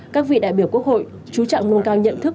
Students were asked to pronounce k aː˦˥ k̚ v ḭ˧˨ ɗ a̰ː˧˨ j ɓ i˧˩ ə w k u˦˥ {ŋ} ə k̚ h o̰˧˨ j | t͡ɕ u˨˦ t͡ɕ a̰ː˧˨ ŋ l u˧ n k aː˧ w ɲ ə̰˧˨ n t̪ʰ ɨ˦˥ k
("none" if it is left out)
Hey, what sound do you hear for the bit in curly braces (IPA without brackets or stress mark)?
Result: none